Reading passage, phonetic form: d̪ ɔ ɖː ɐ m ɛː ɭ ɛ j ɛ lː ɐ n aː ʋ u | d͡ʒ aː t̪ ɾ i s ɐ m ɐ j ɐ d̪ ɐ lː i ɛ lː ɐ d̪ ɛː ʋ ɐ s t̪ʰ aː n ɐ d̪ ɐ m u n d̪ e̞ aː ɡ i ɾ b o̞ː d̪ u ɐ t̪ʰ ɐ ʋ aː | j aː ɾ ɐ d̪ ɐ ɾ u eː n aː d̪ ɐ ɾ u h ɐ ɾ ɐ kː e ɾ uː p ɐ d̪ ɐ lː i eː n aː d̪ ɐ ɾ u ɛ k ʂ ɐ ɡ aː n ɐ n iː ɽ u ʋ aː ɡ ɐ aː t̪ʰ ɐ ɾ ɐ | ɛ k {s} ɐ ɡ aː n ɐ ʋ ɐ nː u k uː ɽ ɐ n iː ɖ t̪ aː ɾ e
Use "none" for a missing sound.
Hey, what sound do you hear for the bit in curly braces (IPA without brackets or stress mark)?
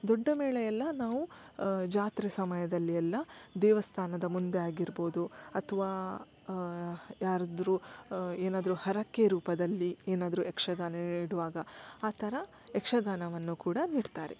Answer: ʂ